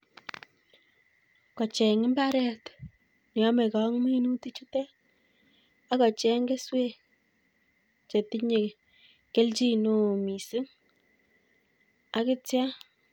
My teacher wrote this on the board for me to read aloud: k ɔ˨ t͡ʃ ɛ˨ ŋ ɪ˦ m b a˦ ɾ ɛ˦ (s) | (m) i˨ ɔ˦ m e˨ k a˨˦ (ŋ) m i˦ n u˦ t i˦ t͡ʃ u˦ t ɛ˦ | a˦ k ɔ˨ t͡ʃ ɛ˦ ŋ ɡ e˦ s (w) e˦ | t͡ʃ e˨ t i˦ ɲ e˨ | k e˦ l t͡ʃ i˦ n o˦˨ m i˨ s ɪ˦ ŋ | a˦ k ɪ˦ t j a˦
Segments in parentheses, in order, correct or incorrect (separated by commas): incorrect, incorrect, correct, correct